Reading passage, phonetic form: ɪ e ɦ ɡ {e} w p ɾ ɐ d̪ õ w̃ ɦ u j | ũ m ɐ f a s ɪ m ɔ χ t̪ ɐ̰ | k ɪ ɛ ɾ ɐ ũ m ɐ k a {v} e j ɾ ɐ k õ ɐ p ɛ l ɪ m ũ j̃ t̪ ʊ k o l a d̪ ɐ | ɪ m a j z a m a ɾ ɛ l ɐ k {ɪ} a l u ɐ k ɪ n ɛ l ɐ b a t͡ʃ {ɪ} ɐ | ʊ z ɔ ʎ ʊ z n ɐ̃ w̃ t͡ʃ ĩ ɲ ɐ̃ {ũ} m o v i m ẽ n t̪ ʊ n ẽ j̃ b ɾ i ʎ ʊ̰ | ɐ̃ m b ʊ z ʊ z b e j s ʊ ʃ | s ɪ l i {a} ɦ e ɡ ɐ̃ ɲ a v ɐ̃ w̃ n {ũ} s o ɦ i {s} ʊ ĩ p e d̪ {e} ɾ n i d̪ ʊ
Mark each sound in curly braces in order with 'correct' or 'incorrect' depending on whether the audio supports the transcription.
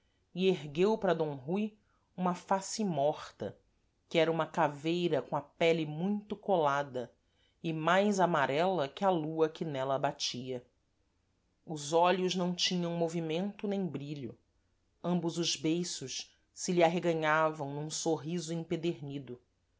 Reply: correct, correct, correct, incorrect: i, incorrect: w̃, correct, correct, incorrect: z, correct

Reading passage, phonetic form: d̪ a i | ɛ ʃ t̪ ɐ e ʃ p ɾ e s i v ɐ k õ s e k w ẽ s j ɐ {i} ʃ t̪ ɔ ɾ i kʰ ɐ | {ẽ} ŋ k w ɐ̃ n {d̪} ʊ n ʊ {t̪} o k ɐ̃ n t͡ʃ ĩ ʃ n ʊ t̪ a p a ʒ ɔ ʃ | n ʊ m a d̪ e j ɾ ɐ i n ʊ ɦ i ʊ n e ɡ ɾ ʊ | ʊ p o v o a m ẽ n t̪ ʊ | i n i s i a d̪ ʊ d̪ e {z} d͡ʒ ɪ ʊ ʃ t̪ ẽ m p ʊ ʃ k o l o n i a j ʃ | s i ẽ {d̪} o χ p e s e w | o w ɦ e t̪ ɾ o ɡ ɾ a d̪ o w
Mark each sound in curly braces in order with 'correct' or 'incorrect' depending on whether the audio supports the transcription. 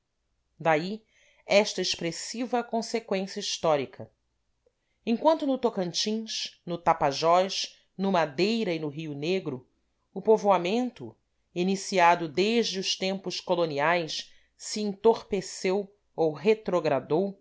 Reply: correct, correct, incorrect: t̪, correct, incorrect: ʒ, incorrect: t̪

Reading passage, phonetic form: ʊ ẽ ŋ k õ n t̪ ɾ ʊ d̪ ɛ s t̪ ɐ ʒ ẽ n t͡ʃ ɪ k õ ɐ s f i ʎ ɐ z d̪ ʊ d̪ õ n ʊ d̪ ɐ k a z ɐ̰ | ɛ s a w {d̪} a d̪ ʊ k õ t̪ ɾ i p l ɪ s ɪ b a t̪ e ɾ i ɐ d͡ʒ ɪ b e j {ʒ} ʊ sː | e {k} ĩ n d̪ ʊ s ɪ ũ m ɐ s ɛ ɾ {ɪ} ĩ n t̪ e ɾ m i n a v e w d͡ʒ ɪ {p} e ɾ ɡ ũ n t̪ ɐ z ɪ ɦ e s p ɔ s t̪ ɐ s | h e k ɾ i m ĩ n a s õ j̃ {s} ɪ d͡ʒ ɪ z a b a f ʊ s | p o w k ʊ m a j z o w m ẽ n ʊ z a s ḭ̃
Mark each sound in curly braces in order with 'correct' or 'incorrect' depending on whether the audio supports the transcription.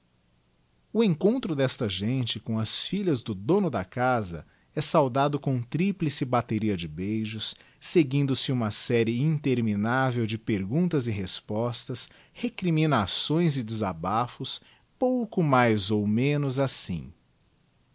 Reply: correct, correct, incorrect: ɡ, correct, correct, incorrect: z

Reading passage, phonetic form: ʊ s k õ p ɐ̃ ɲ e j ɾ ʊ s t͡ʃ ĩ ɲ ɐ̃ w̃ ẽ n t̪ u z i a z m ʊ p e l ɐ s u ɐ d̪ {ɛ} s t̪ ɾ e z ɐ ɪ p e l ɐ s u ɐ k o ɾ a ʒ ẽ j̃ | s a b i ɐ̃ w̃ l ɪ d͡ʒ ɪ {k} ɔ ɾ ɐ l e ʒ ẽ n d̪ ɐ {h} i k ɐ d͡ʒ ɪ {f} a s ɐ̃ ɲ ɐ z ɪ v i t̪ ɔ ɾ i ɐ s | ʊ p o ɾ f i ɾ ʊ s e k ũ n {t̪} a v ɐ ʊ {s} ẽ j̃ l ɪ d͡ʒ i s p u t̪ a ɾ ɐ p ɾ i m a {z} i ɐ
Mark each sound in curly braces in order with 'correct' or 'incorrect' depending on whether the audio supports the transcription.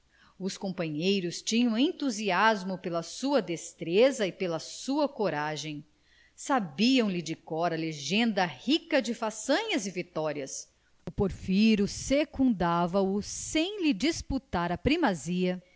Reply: incorrect: e, correct, correct, correct, incorrect: d̪, correct, correct

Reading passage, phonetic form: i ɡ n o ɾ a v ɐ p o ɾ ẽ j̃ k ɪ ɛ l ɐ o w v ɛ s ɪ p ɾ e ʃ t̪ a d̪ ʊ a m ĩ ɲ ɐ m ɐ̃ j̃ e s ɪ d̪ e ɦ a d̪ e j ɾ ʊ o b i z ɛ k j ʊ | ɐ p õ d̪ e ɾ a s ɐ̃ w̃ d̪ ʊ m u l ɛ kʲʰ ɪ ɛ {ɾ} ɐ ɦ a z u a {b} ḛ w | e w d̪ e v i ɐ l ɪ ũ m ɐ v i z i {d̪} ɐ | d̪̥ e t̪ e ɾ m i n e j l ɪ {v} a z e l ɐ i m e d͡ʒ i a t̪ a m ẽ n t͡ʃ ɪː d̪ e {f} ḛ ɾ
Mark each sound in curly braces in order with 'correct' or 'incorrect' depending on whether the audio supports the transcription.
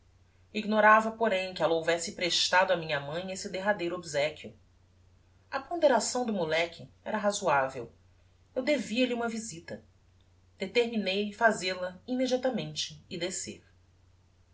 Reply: correct, incorrect: v, incorrect: t̪, incorrect: f, incorrect: s

